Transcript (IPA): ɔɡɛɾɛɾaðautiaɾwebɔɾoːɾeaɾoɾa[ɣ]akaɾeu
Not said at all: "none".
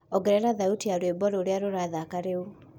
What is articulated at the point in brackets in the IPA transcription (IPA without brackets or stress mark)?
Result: ð